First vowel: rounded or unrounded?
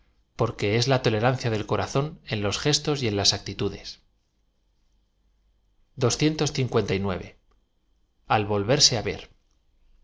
rounded